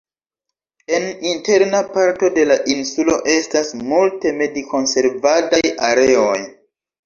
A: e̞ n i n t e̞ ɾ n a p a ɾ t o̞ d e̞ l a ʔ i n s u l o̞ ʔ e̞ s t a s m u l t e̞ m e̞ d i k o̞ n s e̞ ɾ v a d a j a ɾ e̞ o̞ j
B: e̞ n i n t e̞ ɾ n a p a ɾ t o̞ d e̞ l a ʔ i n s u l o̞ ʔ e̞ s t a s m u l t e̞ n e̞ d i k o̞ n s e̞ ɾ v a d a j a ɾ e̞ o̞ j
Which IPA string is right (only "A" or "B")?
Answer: A